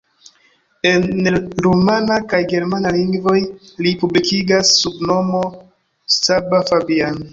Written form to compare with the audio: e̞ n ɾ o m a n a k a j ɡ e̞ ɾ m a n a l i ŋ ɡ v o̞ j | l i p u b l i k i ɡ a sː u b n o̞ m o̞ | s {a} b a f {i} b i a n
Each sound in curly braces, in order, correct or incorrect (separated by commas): correct, incorrect